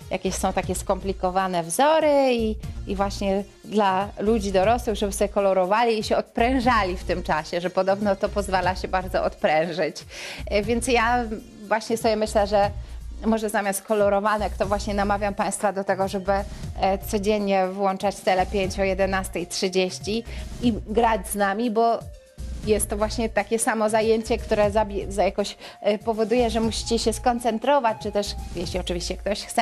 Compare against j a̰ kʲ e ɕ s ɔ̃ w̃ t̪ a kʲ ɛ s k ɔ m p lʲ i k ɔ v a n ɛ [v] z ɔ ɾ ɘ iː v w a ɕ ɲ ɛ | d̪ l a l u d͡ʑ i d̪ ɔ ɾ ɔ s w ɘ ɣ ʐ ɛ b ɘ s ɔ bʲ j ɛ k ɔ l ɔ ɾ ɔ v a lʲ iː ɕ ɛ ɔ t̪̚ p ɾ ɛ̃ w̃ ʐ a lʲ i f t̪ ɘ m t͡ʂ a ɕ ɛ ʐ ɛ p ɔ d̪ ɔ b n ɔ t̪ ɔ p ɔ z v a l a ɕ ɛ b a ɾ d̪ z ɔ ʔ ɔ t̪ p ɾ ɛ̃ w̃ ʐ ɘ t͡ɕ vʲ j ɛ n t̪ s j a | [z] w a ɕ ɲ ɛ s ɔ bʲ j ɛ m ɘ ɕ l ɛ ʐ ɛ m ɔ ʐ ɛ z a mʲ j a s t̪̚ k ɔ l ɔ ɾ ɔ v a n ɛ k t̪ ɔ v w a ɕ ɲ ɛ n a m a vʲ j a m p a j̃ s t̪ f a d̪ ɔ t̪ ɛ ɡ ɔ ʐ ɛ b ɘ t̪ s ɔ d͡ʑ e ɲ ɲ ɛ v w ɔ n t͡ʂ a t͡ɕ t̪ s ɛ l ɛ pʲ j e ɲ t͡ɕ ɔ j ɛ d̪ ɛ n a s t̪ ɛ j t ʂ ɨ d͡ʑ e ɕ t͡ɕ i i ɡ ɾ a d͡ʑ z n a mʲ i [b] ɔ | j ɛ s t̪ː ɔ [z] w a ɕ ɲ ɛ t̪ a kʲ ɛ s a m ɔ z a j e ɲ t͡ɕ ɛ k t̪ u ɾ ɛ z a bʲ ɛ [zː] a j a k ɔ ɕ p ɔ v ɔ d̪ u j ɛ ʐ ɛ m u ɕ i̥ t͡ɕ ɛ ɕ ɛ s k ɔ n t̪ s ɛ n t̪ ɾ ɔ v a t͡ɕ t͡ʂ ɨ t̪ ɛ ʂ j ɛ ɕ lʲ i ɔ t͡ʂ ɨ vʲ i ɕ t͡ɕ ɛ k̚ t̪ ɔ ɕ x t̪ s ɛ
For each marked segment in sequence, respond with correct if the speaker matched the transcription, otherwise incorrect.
correct, incorrect: v, correct, incorrect: v, incorrect: z

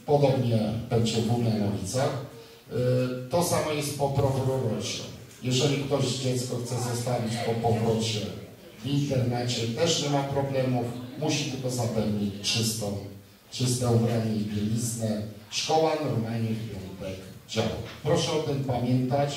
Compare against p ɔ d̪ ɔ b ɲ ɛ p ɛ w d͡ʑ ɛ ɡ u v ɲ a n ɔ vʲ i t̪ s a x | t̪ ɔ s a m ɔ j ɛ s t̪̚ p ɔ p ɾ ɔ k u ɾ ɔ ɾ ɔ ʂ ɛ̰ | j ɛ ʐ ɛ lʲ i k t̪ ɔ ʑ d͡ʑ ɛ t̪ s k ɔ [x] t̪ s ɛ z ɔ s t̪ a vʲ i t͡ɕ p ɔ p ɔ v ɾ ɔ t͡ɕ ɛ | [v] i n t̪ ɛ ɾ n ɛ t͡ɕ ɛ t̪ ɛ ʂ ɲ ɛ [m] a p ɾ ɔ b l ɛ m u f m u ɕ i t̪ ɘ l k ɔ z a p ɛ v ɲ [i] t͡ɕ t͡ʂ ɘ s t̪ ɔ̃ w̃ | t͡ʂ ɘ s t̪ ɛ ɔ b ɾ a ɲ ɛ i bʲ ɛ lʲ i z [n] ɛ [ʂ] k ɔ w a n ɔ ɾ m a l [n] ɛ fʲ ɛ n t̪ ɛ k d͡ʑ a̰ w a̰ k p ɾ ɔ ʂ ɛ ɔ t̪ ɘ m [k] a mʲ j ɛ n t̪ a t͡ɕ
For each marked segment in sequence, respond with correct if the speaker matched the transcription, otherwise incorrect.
correct, correct, correct, correct, correct, correct, incorrect: ɲ, incorrect: p

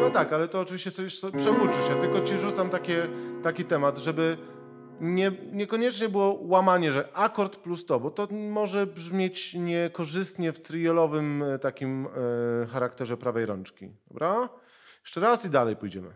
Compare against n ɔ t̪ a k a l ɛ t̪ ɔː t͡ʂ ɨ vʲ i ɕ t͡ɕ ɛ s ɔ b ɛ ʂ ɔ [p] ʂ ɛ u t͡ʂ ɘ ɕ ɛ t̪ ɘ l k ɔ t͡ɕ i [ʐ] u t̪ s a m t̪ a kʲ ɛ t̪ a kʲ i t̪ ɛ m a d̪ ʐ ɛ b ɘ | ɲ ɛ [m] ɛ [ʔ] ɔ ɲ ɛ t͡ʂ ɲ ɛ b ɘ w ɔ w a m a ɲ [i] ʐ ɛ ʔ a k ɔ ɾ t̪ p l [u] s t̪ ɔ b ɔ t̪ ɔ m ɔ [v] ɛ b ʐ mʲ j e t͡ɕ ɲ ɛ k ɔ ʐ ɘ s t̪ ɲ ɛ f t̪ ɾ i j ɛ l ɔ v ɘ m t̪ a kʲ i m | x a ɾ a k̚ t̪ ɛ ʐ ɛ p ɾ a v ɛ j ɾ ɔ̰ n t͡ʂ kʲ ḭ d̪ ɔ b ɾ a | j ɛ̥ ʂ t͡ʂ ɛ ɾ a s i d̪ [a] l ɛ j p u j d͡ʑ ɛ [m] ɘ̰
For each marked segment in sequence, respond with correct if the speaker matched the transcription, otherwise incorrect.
correct, correct, incorrect: ɲ, incorrect: k, incorrect: ɛ, correct, incorrect: ʐ, correct, correct

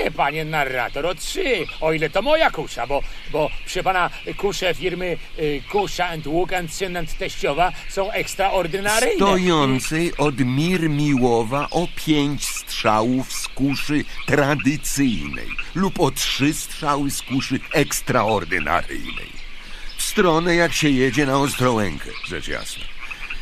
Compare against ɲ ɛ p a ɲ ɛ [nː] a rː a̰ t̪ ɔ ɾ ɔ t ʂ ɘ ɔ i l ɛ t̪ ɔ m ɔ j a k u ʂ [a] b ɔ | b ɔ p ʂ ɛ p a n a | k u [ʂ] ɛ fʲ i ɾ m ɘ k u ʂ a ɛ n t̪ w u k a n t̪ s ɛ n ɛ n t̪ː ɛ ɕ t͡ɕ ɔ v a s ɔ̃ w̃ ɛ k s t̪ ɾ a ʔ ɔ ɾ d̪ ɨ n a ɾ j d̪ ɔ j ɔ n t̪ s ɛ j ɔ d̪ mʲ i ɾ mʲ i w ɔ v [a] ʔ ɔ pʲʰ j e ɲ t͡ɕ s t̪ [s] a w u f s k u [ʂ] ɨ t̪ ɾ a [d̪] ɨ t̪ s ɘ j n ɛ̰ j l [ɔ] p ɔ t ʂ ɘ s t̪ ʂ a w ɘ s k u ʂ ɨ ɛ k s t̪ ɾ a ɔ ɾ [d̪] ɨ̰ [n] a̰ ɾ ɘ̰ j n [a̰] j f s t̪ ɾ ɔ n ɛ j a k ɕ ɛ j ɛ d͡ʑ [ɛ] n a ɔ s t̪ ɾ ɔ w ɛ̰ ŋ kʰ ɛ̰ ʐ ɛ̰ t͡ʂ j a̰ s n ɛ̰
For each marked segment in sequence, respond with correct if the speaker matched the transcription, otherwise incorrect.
incorrect: n, correct, correct, correct, incorrect: ʂ, correct, correct, incorrect: u, correct, correct, incorrect: ɛ̰, correct

